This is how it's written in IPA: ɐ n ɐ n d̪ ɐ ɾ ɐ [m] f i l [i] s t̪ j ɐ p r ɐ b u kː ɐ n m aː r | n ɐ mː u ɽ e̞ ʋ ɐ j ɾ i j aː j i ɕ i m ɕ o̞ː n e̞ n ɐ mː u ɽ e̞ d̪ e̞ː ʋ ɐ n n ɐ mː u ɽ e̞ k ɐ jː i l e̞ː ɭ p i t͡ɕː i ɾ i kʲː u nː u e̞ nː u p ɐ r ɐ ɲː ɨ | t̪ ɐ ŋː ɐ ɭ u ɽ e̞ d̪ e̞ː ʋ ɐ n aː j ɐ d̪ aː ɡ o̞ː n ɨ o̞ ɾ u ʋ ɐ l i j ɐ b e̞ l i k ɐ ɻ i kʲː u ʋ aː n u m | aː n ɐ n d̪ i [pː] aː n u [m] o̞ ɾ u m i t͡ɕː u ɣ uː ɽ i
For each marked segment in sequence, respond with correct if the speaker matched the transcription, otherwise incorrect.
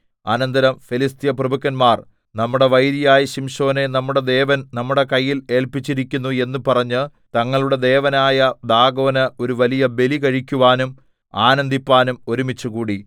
correct, correct, correct, correct

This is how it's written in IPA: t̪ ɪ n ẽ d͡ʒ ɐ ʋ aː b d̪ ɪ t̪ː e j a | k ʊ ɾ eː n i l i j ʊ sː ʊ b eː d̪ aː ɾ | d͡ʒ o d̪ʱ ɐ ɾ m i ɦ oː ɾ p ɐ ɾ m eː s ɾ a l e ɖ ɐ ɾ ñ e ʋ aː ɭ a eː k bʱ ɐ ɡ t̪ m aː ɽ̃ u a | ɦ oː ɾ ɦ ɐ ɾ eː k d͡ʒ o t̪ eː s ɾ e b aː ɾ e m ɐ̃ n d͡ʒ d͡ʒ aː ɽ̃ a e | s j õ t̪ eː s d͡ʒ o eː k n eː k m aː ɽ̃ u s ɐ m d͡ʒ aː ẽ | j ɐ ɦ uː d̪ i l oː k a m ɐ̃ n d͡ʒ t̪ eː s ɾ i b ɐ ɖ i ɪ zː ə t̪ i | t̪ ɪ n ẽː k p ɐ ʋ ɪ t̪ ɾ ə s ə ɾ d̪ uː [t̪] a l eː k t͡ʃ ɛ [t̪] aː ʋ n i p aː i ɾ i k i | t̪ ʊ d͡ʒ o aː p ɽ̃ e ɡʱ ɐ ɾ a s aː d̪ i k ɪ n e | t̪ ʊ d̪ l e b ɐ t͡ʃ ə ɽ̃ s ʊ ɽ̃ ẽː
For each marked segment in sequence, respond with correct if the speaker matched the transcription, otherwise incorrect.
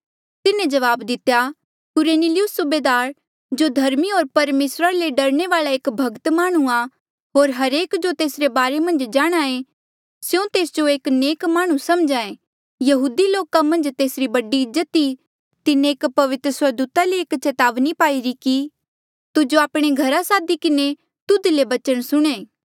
correct, correct

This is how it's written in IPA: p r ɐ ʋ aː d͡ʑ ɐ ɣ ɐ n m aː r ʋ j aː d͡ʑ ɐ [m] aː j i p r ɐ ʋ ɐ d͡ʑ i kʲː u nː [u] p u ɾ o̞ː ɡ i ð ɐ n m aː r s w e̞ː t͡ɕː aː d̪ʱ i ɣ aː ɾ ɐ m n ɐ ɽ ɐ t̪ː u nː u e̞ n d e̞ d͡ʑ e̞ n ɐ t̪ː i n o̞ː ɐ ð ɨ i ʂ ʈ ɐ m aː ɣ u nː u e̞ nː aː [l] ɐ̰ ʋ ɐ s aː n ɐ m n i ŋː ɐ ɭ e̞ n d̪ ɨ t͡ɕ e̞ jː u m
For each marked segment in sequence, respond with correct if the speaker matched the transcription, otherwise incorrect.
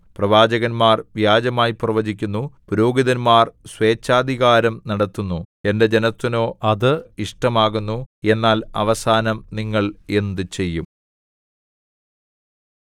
correct, correct, correct

